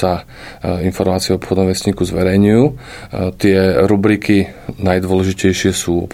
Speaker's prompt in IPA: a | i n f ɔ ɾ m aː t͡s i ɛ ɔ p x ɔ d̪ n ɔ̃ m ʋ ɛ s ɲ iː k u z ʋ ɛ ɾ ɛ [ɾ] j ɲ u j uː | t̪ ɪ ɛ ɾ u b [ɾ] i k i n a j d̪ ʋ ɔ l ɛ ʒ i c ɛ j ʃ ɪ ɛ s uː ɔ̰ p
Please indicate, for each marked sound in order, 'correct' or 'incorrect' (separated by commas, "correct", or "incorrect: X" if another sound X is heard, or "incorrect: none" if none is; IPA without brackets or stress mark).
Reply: incorrect: none, correct